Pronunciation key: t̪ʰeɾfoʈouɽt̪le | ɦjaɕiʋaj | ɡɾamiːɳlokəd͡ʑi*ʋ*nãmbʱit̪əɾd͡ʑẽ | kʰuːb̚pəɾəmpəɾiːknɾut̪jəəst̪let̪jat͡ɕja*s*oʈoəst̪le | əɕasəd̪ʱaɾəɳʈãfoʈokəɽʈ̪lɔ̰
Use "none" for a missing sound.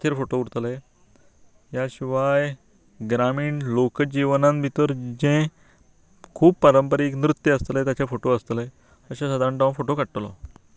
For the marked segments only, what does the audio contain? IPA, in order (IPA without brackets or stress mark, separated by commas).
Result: ʋ, f